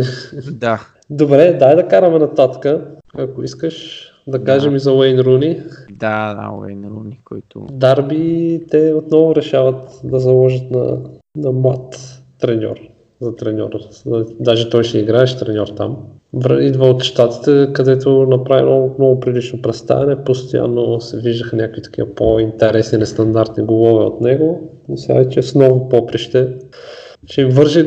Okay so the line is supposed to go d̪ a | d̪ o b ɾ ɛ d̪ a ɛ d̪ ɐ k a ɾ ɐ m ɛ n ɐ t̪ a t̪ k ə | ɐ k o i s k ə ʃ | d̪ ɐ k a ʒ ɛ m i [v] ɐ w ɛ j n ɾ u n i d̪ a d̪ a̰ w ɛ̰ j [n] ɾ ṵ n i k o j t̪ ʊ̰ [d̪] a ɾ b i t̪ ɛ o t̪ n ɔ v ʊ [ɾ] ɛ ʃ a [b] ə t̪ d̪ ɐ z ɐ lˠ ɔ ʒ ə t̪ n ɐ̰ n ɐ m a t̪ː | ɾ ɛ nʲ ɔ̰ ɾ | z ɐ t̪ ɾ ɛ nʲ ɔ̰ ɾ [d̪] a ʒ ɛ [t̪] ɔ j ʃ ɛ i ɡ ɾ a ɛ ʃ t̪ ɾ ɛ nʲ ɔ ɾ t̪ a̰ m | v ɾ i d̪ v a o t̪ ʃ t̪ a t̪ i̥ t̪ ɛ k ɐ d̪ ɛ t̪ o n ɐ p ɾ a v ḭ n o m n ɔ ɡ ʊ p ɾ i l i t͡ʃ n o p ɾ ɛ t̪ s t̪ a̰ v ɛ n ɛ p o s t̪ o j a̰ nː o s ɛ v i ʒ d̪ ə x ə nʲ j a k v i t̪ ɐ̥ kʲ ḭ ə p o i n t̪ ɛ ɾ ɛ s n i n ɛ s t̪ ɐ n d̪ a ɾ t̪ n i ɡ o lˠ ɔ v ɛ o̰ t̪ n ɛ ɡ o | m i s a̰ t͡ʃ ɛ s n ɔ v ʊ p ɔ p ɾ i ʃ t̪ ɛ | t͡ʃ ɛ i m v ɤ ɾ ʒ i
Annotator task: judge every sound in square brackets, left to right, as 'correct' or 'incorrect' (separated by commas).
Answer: incorrect, correct, correct, correct, incorrect, correct, correct